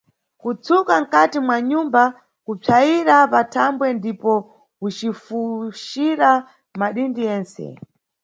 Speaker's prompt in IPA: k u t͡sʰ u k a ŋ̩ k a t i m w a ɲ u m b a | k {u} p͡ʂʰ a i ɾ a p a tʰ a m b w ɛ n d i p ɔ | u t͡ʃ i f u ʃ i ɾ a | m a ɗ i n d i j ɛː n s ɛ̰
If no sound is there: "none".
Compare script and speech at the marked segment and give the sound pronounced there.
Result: u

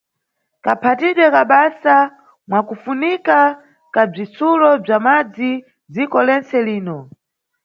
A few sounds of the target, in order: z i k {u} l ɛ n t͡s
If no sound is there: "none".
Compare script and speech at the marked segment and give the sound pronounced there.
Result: ɔ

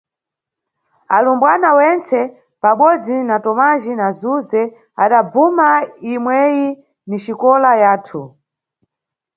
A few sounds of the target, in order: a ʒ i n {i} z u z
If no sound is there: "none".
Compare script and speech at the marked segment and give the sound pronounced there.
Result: a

